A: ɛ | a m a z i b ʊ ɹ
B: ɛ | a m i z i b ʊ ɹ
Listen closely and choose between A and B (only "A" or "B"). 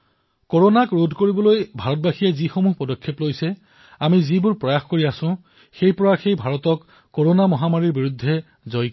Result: B